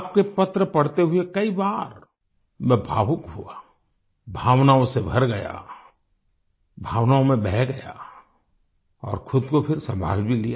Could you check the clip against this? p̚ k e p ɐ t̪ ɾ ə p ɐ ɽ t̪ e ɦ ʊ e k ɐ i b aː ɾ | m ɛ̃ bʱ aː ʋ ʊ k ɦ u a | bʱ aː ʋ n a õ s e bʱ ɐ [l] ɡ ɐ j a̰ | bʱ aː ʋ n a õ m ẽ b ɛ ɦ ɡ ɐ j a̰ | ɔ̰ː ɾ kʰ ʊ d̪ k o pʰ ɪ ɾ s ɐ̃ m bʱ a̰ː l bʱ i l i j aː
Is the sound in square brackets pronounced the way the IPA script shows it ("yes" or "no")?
no